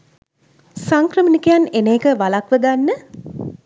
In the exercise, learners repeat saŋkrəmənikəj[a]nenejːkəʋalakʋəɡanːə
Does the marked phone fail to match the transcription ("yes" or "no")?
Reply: no